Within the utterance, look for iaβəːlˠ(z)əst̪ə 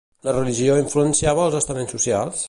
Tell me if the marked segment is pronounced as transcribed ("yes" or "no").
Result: yes